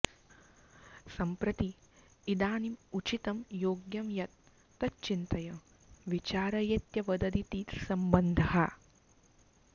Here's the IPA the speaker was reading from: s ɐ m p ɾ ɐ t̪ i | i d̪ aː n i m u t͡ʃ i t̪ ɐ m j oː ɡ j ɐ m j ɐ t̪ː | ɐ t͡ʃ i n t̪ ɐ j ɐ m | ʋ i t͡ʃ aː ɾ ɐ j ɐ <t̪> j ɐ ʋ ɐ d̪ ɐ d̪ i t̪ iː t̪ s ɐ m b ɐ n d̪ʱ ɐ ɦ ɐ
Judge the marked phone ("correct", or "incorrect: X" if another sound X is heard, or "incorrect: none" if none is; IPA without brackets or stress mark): correct